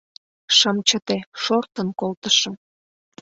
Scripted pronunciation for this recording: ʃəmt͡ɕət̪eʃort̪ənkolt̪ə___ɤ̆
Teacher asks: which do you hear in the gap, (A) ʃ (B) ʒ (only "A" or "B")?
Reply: A